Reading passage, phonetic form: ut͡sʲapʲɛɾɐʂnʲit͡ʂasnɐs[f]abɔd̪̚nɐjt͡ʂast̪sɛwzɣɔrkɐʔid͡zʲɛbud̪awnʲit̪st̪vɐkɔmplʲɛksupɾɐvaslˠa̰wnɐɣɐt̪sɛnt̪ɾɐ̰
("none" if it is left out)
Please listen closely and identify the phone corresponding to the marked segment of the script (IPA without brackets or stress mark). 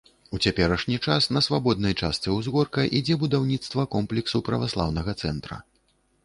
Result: v